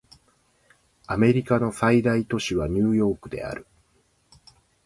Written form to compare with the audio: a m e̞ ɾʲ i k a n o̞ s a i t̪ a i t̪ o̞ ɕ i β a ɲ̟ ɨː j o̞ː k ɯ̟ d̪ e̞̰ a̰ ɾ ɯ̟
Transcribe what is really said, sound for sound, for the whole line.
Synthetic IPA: a m e̞ ɾʲ i k a n o̞ s a i d̪ a i t̪ o̞ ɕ i β a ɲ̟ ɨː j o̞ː k ɯ̟ d̪ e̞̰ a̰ ɾ ɯ̟